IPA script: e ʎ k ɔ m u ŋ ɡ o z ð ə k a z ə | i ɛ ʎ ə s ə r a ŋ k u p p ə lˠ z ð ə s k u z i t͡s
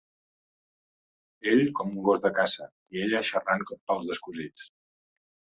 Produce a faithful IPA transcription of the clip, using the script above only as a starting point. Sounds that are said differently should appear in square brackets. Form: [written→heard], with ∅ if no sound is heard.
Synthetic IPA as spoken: e ʎ k ɔ m u ŋ ɡ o z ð ə k a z ə | i [ɛ→e] ʎ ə [s→ʃ] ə r a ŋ k [u→ɔ] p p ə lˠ z ð ə s k u z i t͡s